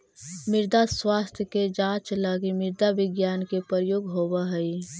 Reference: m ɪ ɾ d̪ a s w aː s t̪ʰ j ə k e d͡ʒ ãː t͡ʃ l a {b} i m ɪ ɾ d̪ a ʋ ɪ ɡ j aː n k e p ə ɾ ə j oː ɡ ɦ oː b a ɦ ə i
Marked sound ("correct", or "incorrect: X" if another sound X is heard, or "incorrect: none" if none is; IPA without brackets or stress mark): incorrect: ɡ